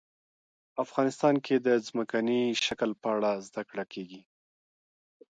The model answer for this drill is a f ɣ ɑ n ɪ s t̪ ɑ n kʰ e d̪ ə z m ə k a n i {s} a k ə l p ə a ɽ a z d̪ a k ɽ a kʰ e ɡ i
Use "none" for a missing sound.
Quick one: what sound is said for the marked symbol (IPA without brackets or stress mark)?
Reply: ʃ